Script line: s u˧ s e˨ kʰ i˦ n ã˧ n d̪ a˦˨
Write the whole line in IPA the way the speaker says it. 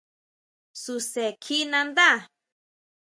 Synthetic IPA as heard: s u˧ s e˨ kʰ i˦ n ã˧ n d̪ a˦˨